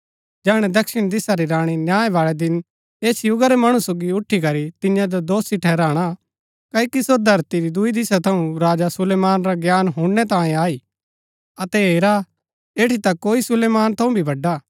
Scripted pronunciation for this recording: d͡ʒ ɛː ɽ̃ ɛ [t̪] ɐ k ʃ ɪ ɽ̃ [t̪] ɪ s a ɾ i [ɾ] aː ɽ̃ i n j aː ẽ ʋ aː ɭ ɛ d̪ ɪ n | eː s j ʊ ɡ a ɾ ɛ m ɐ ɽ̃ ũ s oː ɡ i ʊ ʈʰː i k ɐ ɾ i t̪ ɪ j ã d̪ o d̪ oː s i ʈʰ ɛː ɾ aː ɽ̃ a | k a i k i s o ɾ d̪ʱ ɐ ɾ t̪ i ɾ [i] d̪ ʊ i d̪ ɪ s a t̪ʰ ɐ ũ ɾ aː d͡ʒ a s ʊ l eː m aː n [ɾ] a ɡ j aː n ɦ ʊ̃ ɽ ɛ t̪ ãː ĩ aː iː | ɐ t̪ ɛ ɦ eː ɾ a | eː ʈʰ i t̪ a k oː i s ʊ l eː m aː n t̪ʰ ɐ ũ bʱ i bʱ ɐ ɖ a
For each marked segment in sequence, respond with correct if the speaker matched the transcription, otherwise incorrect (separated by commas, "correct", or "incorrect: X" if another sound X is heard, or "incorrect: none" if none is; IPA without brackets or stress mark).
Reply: incorrect: d̪, incorrect: d̪, correct, correct, correct